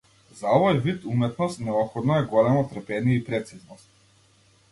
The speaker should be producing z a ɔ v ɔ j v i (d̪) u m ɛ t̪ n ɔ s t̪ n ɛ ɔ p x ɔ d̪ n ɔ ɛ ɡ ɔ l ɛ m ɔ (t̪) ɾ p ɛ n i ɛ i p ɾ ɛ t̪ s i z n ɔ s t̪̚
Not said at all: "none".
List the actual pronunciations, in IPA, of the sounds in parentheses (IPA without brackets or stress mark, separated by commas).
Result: t̪, t̪